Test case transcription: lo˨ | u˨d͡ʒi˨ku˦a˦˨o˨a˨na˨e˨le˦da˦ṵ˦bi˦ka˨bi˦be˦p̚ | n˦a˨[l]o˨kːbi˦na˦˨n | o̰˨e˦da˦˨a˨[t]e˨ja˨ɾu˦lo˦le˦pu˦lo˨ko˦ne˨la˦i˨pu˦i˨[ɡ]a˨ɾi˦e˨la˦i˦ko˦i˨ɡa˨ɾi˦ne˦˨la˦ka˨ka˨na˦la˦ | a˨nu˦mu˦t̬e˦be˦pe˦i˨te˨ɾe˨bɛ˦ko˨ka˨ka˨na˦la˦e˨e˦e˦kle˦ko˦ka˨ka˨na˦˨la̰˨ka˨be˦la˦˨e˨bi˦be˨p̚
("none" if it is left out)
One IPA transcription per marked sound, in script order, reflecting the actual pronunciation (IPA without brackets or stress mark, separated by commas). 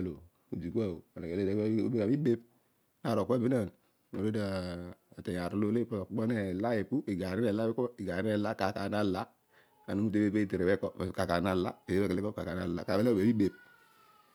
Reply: ɾ, t, ɡ